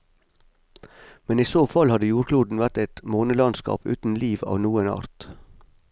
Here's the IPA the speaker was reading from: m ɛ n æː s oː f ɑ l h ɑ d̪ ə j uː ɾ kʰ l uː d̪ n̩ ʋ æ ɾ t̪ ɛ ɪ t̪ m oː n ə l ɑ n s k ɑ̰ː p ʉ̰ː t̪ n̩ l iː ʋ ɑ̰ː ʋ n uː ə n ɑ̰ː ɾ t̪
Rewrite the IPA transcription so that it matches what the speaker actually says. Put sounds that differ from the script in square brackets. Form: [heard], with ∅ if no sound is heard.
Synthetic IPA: m ɛ n [iː] s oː f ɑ l h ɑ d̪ ə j uː ɾ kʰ l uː d̪ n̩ ʋ æ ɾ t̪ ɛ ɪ t̪ m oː n ə l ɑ n s k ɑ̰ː p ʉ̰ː t̪ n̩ l iː ʋ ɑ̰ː ʋ n uː ə n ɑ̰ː ɾ t̪

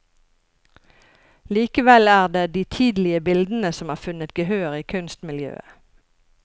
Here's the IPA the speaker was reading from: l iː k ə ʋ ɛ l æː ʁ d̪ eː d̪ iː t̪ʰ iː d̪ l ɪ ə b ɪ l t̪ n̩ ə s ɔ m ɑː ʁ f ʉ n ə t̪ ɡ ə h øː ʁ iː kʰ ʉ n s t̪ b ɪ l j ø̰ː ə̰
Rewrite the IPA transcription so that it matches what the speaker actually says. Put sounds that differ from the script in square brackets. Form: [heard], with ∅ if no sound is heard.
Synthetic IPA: l iː k ə ʋ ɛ l æː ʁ d̪ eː d̪ iː t̪ʰ iː d̪ l ɪ ə b ɪ l [d̪] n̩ ə s ɔ m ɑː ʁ f ʉ n ə t̪ ɡ ə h øː ʁ iː kʰ ʉ n s t̪ [m] ɪ l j ø̰ː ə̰

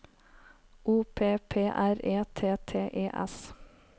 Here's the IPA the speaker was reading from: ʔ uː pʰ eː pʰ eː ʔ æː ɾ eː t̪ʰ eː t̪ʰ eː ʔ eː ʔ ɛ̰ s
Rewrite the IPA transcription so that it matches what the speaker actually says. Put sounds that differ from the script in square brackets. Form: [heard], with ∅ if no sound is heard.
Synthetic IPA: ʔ uː pʰ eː pʰ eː ʔ [æ] ɾ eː t̪ʰ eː t̪ʰ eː ʔ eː ʔ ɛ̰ s

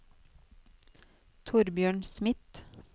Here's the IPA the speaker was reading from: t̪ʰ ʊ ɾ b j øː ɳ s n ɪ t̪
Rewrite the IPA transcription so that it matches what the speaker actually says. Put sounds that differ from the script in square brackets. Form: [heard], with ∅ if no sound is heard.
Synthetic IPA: t̪ʰ ʊ ɾ b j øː ɳ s [m] ɪ t̪

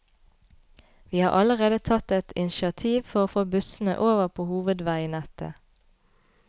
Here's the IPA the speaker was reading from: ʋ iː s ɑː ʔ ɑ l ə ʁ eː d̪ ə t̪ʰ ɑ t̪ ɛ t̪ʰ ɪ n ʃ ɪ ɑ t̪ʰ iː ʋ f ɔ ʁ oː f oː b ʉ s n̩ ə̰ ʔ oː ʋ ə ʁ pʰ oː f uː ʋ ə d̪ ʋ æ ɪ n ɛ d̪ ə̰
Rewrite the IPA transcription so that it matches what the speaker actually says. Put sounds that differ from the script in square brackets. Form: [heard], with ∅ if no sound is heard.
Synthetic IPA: ʋ iː [h] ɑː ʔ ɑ l ə ʁ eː d̪ ə t̪ʰ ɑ t̪ ɛ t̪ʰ ɪ n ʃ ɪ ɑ t̪ʰ iː ʋ f ɔ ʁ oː f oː b ʉ s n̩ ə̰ ʔ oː ʋ ə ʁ pʰ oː [h] uː ʋ ə d̪ ʋ æ ɪ n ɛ [t̪] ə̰

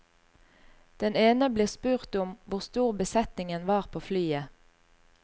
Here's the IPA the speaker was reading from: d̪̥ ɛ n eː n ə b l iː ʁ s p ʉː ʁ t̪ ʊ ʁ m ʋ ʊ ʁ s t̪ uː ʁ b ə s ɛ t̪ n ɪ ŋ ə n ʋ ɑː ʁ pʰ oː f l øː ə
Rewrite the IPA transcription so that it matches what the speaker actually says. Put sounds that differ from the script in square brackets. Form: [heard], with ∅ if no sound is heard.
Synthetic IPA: d̪̥ ɛ n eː n ə b l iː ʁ s p ʉː ʁ t̪ ʊ [∅] m ʋ ʊ ʁ s t̪ uː ʁ b ə s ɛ t̪ n ɪ ŋ ə n ʋ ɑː ʁ pʰ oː f l [yː] ə

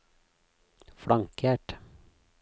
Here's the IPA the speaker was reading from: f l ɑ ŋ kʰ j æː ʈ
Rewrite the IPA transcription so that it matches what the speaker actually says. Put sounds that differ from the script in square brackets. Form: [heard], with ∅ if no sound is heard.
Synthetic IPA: f [ɽ] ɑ ŋ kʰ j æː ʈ

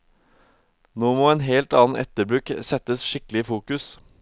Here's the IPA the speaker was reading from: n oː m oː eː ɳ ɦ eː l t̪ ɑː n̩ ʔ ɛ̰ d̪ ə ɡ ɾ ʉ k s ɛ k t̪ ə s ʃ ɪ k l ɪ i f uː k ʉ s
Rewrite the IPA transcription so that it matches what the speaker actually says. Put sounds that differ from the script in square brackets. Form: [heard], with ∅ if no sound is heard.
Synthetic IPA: n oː m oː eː [n] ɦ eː l t̪ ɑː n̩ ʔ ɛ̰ [t̪] ə [b] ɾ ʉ k s ɛ [∅] t̪ ə s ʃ ɪ k l ɪ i f uː k ʉ s

